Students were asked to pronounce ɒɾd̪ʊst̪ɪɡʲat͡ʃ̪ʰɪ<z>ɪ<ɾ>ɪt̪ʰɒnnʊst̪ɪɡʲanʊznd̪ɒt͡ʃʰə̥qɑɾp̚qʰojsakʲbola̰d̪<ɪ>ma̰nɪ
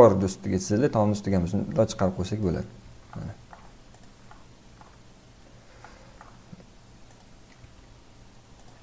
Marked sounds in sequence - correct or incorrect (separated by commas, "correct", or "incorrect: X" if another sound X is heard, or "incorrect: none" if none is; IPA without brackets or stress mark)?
correct, incorrect: l, correct